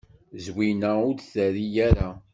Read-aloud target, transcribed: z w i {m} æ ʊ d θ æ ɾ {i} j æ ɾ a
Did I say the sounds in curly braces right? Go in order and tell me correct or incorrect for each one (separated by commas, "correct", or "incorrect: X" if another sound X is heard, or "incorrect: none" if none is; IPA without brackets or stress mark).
incorrect: n, correct